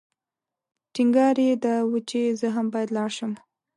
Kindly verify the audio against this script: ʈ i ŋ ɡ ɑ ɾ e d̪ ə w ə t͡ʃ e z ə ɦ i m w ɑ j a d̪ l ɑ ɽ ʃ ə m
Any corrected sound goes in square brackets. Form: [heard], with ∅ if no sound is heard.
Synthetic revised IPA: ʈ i ŋ ɡ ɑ ɾ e d̪ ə w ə t͡ʃ e z ə ɦ [a] m [b] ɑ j a d̪ l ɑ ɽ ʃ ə m